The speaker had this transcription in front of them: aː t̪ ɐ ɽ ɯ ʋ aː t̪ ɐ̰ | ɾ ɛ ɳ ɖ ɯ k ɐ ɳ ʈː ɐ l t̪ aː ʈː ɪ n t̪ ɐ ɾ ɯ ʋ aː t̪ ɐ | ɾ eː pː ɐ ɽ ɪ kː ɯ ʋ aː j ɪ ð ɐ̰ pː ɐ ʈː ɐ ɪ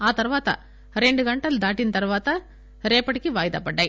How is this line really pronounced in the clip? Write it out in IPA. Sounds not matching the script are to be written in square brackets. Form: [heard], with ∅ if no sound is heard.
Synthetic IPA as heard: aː t̪ ɐ [ɾ] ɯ ʋ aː t̪ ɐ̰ | ɾ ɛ ɳ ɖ ɯ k ɐ ɳ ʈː ɐ l [d̪] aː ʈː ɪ n t̪ ɐ ɾ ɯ ʋ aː t̪ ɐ | ɾ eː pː ɐ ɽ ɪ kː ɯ ʋ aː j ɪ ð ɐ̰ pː ɐ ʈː ɐ ɪ

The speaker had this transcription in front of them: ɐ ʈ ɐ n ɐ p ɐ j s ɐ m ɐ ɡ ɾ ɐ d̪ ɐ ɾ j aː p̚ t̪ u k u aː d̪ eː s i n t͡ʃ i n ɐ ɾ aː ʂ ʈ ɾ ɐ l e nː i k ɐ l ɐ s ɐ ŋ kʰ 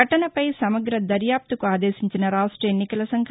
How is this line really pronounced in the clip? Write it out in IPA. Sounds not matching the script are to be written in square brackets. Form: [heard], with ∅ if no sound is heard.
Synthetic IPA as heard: ɐ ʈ ɐ n ɐ p ɐ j s ɐ m ɐ ɡ ɾ ɐ d̪ ɐ ɾ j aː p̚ t̪ u k u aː d̪ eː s i [ɲ] t͡ʃ i n ɐ ɾ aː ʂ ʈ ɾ ɐ [∅] e nː i k ɐ l ɐ s ɐ ŋ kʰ

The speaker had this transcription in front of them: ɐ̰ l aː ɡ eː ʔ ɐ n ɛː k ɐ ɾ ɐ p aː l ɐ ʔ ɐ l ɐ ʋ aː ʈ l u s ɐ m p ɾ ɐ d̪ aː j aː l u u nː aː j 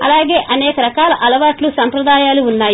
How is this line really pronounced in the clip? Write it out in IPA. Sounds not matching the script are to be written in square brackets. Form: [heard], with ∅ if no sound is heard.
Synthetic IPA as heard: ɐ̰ l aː ɡ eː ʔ ɐ n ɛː k ɐ ɾ ɐ [k] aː l ɐ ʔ ɐ l ɐ ʋ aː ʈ l u s ɐ m p ɾ ɐ d̪ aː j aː l u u nː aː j

